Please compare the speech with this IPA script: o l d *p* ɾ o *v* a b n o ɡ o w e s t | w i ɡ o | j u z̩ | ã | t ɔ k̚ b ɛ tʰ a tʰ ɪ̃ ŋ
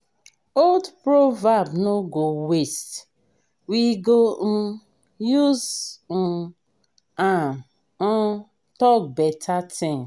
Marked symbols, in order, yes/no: yes, yes

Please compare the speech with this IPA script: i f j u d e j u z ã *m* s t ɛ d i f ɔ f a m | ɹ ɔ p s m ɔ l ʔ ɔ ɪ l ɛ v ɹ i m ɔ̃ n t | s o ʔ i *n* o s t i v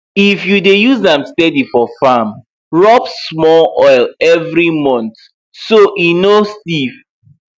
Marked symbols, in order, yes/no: yes, yes

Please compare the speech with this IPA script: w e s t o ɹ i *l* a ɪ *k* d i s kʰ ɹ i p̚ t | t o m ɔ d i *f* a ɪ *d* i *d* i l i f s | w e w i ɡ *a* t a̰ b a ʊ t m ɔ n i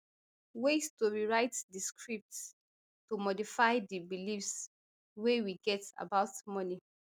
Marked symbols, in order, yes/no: no, no, yes, yes, no, no

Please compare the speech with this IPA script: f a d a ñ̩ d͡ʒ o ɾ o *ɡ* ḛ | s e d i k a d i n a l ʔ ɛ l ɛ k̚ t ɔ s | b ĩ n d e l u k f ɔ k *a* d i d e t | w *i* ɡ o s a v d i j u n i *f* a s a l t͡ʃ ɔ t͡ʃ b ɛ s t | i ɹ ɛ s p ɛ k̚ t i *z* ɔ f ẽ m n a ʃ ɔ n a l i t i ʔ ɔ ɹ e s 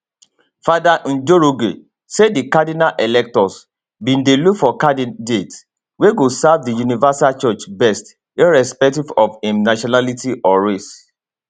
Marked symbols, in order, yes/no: yes, yes, no, no, no

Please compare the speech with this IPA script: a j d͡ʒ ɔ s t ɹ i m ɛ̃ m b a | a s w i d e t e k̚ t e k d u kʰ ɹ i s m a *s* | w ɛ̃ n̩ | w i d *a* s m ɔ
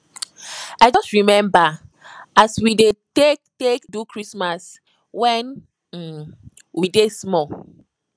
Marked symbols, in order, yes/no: yes, no

